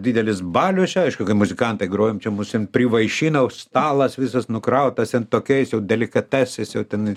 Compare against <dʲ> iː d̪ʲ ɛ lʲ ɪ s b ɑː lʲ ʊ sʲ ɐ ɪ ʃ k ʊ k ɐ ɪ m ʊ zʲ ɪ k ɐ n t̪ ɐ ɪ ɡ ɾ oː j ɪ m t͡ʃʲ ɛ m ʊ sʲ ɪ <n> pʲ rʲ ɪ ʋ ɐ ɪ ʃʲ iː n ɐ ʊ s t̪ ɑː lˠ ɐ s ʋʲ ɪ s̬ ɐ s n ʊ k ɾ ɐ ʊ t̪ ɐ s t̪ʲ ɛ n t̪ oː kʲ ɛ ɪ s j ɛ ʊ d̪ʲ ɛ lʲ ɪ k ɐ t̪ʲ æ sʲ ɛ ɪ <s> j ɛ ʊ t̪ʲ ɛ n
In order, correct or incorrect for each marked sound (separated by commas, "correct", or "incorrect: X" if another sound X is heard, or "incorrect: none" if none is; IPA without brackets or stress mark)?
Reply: correct, correct, correct